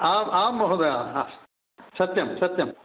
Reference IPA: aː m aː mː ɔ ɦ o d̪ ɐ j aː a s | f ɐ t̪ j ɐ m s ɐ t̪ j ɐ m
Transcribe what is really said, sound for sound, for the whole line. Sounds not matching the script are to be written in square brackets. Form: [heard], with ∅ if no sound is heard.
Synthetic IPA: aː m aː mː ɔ ɦ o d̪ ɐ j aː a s | [s] ɐ t̪ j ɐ m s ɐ t̪ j ɐ m